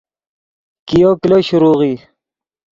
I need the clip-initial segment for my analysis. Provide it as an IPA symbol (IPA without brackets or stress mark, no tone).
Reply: k